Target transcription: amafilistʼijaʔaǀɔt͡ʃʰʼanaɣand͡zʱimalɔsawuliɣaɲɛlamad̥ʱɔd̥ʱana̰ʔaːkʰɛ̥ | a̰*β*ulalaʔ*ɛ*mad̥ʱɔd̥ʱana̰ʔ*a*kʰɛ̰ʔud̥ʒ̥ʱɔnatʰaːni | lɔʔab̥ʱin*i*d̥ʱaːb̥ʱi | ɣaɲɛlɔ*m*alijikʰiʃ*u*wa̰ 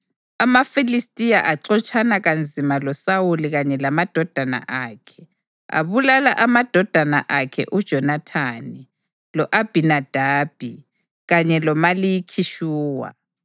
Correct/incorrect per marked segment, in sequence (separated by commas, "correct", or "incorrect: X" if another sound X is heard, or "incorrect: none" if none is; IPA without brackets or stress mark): correct, incorrect: a, correct, incorrect: a, correct, incorrect: uː